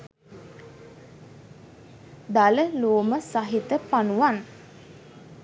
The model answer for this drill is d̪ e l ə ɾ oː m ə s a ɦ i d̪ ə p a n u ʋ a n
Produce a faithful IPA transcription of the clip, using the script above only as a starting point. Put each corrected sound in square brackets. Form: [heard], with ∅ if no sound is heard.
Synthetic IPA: d̪ [a] l ə [l] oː m ə s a ɦ i [t̪] ə p a n u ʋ a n